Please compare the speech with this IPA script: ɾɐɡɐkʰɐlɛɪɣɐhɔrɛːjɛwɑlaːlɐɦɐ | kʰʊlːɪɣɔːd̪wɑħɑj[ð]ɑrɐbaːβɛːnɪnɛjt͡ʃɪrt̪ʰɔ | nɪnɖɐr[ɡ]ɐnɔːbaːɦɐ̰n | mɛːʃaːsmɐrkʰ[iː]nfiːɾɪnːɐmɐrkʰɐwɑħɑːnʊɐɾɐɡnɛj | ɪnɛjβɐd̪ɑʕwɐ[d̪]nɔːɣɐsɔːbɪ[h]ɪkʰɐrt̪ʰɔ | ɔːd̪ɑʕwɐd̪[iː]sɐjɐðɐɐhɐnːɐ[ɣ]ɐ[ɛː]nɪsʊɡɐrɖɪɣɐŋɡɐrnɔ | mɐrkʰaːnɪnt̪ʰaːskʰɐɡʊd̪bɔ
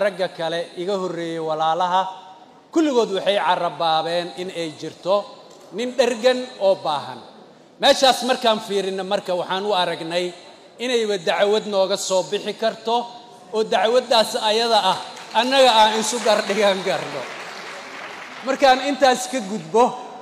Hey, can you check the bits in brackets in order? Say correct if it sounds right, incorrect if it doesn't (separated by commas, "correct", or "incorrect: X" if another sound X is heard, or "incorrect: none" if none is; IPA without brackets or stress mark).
incorrect: ʕ, correct, incorrect: aː, correct, incorrect: ħ, incorrect: aː, correct, incorrect: aː